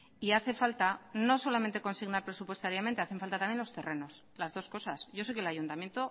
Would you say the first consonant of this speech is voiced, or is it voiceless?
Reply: voiceless